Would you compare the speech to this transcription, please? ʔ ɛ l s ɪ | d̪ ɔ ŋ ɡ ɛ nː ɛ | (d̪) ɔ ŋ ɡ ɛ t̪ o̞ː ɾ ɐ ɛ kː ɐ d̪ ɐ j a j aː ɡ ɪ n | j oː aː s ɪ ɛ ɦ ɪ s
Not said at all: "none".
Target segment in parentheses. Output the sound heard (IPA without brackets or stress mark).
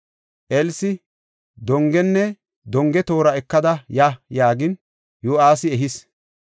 d̪